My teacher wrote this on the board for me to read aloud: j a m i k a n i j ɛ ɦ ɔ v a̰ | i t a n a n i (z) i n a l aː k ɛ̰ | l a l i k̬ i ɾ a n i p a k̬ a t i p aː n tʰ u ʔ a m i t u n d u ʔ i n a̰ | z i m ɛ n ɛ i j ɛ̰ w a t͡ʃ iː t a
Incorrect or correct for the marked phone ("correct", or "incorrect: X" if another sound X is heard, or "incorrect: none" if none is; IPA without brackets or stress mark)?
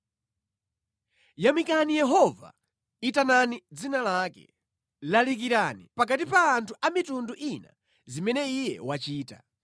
incorrect: d͡z